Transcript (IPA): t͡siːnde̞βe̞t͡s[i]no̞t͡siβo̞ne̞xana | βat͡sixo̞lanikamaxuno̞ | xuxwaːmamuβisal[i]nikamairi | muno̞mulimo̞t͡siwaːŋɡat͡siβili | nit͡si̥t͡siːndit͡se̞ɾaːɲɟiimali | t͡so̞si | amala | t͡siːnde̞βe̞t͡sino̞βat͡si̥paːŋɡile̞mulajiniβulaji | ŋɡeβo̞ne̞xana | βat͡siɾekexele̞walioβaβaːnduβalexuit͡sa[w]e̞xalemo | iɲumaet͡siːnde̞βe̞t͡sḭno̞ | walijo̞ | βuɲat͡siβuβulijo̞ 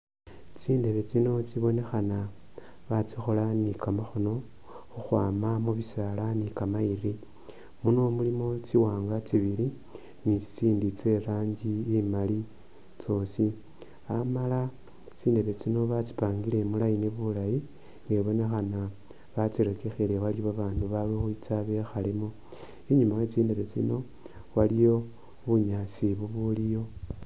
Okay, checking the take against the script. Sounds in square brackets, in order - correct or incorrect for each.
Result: correct, incorrect, incorrect

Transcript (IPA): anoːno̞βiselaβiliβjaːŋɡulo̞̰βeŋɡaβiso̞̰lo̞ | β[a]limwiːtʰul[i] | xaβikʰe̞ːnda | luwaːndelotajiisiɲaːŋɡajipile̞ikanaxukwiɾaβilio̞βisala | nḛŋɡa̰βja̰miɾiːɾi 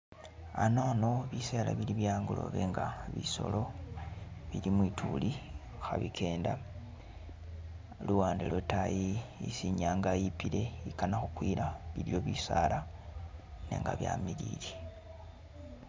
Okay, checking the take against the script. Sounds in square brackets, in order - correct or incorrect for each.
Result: incorrect, correct

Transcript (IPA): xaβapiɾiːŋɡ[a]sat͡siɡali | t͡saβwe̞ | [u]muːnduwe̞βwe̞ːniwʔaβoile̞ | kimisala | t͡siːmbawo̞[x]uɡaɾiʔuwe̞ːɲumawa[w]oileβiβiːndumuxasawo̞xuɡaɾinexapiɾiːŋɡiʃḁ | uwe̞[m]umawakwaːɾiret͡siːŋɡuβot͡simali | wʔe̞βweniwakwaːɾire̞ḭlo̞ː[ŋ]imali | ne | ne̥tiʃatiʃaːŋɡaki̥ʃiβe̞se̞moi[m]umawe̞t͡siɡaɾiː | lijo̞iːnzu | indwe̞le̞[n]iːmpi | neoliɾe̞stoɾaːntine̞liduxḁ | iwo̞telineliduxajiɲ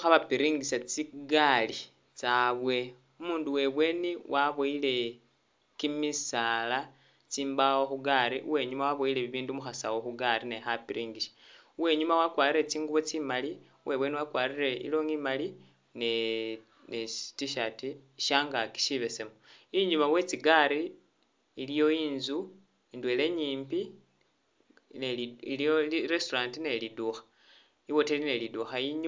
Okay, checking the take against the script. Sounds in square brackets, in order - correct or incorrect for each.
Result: incorrect, correct, correct, incorrect, incorrect, correct, incorrect, incorrect

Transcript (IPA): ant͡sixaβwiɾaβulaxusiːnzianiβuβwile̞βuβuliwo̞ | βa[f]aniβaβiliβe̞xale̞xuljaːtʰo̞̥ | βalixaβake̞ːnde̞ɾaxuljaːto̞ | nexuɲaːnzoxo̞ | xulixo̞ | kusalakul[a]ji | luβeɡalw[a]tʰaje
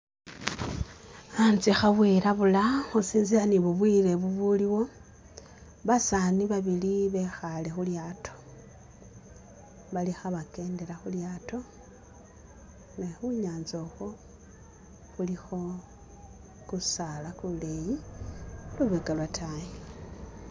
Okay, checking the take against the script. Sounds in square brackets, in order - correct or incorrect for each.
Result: incorrect, incorrect, correct

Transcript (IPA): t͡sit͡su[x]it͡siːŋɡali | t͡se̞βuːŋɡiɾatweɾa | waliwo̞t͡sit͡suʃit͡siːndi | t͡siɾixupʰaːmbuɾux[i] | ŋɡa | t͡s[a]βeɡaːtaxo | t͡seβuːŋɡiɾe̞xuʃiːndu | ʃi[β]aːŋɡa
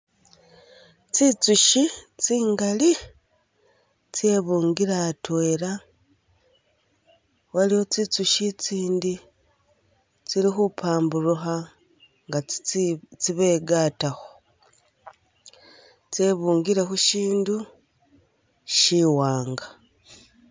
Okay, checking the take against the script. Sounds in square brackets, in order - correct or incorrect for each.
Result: incorrect, incorrect, incorrect, incorrect

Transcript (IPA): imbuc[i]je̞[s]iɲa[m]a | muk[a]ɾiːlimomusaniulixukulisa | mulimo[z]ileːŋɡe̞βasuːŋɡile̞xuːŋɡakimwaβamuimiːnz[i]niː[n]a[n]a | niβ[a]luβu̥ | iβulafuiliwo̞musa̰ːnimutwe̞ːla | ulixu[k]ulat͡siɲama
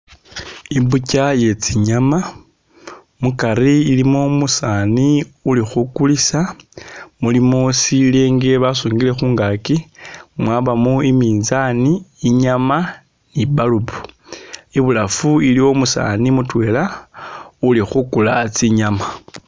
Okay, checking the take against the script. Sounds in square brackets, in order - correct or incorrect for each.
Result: incorrect, incorrect, correct, correct, incorrect, incorrect, incorrect, incorrect, correct, correct

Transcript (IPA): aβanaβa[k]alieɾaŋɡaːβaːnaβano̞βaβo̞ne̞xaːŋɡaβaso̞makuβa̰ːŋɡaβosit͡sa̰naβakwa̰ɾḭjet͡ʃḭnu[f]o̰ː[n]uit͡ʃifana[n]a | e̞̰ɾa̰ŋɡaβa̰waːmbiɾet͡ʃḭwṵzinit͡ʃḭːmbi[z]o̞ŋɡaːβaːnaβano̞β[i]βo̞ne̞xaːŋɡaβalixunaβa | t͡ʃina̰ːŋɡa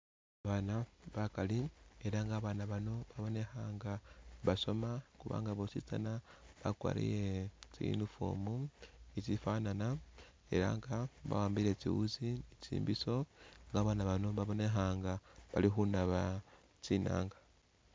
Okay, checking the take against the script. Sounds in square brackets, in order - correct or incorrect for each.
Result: correct, correct, incorrect, correct, incorrect, incorrect

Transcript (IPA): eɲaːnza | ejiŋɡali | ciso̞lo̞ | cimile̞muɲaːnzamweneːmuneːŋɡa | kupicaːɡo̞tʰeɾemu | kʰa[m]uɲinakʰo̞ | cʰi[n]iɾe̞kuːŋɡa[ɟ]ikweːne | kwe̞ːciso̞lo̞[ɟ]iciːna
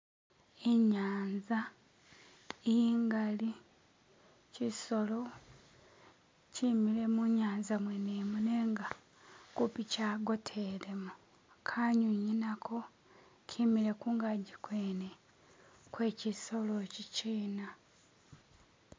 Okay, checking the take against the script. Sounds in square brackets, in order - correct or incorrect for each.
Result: incorrect, incorrect, correct, incorrect

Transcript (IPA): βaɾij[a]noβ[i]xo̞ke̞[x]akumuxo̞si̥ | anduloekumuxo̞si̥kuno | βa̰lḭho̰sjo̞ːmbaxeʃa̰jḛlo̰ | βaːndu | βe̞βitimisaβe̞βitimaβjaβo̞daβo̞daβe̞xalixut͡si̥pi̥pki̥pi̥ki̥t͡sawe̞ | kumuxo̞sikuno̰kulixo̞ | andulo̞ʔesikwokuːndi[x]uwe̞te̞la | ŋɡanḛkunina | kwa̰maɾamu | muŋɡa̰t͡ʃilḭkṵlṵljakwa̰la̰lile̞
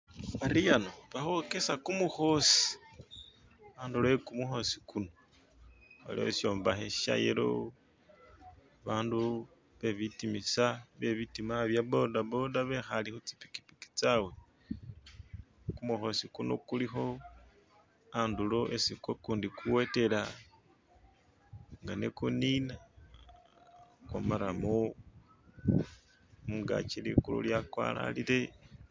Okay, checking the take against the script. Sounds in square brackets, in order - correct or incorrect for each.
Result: correct, incorrect, incorrect, incorrect

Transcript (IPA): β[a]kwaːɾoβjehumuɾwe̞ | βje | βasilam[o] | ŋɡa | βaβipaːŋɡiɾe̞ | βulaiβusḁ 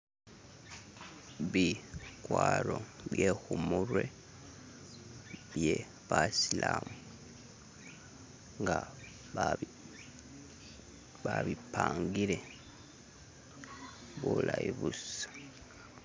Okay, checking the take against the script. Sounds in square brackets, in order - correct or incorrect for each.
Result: incorrect, incorrect

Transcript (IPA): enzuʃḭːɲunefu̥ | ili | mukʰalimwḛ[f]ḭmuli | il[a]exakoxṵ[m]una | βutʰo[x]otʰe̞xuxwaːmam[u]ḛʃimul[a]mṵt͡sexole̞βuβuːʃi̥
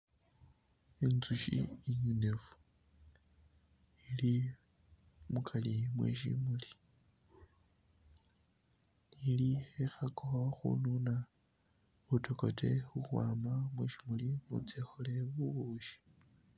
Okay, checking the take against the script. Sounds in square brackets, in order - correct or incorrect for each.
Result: incorrect, incorrect, incorrect, incorrect, incorrect, incorrect

